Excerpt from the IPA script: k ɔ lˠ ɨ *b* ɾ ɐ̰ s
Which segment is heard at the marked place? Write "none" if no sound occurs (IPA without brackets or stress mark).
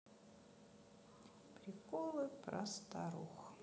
p